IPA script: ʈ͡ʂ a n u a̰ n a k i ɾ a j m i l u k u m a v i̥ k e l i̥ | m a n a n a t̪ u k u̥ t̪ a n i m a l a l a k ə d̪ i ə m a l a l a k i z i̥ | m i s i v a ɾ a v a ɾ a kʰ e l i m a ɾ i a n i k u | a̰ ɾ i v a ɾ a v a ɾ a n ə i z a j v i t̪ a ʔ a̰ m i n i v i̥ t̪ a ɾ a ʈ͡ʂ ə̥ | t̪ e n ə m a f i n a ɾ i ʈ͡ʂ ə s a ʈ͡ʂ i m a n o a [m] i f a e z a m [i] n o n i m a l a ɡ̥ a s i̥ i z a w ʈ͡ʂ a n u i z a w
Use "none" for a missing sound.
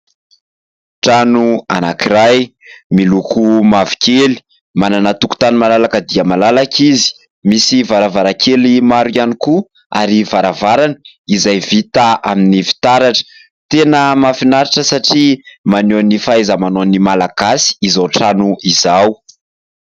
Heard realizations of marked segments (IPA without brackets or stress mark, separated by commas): n, a